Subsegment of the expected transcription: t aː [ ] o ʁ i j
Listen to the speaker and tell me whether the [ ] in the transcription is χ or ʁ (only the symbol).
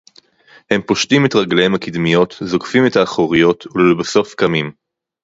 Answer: χ